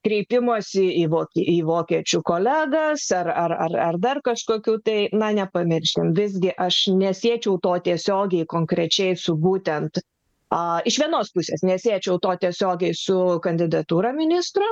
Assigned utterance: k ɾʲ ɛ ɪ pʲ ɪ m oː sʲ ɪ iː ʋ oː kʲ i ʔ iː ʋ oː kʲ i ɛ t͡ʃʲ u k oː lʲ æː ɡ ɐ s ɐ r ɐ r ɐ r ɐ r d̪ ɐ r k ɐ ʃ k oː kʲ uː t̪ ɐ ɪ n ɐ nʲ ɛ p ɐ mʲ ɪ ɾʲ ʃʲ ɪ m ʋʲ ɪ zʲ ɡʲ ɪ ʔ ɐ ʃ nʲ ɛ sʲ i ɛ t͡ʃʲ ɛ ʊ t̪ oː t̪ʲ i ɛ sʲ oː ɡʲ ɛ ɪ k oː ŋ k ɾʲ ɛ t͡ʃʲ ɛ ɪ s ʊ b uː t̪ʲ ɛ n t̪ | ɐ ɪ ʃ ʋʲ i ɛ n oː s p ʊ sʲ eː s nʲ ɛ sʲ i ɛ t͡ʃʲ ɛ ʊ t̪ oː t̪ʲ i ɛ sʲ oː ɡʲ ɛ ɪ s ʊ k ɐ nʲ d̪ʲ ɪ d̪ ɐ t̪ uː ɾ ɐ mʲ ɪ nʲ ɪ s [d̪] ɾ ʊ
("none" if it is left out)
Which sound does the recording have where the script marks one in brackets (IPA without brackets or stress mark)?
t̪